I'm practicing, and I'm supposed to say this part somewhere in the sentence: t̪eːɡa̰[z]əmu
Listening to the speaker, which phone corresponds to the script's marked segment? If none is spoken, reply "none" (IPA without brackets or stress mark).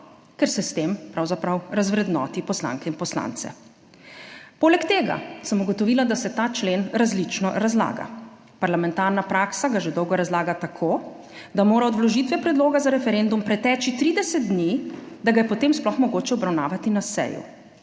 s